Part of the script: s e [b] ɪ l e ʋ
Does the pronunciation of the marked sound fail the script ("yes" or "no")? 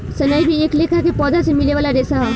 yes